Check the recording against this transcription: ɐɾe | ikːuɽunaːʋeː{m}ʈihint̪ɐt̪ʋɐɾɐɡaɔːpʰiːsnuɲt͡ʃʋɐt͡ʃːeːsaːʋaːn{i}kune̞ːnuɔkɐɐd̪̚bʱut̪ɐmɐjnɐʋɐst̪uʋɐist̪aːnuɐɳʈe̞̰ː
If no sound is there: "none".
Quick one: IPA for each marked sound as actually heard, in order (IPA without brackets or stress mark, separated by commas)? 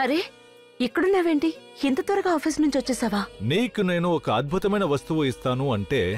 ɳ, iː